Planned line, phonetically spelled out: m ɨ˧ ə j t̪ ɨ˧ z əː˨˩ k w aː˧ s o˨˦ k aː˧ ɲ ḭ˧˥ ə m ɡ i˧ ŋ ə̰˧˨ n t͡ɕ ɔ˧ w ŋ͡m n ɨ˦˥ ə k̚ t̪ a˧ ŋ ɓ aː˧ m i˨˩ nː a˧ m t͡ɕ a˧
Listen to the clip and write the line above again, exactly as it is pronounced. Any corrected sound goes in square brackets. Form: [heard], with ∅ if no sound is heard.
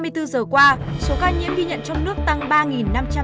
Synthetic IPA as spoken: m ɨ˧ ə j t̪ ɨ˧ z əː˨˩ k w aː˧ s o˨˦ k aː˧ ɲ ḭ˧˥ ə m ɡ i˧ [ɲ] ə̰˧˨ n t͡ɕ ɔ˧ w ŋ͡m n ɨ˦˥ ə k̚ t̪ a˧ ŋ ɓ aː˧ [ŋ] i˨˩ nː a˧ m t͡ɕ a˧